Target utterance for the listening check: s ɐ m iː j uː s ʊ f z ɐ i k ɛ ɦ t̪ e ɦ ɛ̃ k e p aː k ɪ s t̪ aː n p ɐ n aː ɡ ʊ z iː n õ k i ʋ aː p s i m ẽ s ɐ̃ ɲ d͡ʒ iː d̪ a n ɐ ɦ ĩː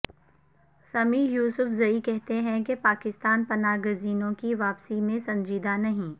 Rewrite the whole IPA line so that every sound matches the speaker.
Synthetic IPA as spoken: s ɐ m iː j uː s ʊ f z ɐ i k ɛ ɦ t̪ e ɦ ɛ̃ k e p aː k ɪ s t̪ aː n p ɐ n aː ɡ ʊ z iː n õ k i ʋ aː p s i m ẽ s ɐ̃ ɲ d͡ʒ iː d̪ a n ɐ ɦ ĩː